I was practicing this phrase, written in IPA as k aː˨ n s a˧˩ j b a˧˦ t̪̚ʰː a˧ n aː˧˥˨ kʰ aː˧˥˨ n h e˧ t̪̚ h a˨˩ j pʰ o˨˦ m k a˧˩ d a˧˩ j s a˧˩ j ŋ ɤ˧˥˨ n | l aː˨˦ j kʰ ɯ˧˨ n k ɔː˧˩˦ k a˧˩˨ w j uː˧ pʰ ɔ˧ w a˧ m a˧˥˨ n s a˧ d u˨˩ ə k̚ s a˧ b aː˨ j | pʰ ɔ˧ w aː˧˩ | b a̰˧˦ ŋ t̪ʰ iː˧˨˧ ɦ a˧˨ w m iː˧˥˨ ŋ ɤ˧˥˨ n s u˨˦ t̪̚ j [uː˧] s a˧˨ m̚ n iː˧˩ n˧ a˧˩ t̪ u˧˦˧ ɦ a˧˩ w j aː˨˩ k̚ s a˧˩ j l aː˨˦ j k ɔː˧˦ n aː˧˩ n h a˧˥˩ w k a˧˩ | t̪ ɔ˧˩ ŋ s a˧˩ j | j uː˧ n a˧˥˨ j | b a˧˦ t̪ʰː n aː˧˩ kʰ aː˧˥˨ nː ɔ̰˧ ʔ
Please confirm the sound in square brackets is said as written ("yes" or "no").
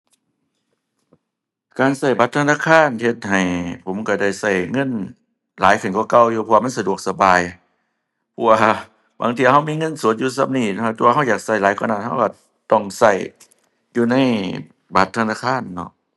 yes